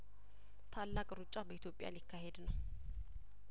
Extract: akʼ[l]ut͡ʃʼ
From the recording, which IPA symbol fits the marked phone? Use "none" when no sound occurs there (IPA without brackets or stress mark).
ɾ